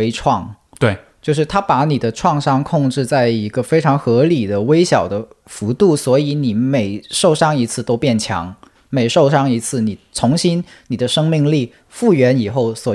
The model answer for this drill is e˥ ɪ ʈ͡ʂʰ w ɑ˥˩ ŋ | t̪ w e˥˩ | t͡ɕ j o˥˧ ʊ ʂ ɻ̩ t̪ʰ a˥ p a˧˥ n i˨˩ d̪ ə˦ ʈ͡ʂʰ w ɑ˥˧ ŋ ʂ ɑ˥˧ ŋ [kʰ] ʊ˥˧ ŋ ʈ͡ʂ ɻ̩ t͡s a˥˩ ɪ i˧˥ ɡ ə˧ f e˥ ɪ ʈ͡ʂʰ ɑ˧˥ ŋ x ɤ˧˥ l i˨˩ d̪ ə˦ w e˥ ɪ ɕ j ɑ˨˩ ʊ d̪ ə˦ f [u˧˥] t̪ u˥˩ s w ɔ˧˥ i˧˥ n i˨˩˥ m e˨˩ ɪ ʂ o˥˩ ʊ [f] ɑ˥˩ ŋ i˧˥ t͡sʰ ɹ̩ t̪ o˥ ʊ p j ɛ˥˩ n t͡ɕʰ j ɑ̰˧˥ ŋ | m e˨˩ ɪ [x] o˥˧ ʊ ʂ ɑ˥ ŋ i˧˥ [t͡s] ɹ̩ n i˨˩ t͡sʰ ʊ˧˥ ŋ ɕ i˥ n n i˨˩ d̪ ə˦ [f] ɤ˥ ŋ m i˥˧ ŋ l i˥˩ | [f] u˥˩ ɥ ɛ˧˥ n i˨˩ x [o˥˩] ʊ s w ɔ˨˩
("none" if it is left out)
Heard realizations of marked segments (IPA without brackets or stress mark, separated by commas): kʰ, u˧˥, ʂ, ʂ, t͡sʰ, ʂ, f, o˥˩